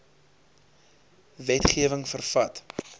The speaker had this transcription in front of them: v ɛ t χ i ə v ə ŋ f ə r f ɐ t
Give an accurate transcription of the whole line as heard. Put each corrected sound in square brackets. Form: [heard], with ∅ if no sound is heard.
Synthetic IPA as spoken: v ɛ t χ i ə v ə ŋ f ə r f ɐ t